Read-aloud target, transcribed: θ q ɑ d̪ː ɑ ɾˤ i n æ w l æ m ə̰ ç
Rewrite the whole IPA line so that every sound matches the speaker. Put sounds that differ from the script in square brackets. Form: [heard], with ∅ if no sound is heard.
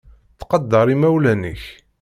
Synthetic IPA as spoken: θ q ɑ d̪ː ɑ ɾˤ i [m] æ w l æ [n] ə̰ ç